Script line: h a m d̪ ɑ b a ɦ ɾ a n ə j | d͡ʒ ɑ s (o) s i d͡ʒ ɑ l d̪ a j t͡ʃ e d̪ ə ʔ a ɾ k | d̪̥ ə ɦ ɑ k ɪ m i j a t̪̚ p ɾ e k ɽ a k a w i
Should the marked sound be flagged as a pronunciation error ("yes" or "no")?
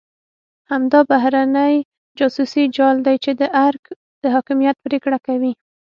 yes